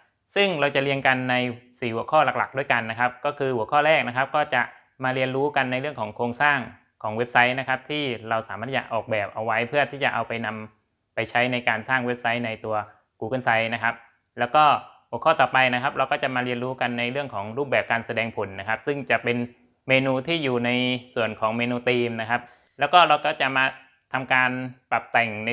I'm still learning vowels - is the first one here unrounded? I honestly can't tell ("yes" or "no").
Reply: yes